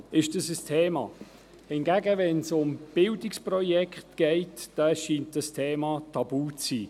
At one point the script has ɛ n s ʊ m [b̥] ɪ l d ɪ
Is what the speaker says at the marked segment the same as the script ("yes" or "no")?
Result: yes